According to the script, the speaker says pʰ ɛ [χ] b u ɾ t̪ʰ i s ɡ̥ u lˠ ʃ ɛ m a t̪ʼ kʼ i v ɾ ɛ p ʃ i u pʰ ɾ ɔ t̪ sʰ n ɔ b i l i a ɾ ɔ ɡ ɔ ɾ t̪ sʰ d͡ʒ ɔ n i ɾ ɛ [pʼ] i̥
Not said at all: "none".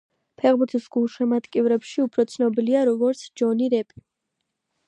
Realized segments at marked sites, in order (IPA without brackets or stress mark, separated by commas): ʁ, pʼ